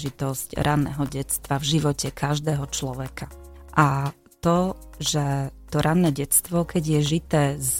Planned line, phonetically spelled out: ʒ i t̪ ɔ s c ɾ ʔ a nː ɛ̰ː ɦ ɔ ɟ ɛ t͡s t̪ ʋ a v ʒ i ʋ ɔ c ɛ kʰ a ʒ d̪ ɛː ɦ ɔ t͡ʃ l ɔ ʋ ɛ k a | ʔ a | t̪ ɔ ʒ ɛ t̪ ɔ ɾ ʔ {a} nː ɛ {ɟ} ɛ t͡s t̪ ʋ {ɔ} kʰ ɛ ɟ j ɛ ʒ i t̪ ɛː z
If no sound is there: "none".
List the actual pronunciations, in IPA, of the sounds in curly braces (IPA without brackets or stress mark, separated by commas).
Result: a, ɟ, ɔ